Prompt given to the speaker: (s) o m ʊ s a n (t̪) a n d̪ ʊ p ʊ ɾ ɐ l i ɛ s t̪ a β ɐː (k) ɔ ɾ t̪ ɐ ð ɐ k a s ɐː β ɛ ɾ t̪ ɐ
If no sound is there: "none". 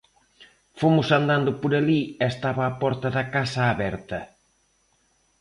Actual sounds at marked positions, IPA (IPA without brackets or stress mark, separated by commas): f, d̪, p